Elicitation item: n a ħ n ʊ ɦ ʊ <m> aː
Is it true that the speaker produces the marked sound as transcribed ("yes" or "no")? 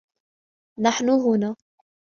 no